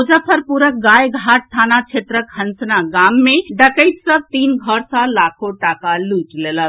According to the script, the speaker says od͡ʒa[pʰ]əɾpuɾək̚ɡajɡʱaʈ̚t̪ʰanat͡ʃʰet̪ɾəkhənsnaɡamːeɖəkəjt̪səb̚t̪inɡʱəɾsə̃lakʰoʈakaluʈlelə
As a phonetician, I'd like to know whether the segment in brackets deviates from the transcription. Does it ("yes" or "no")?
no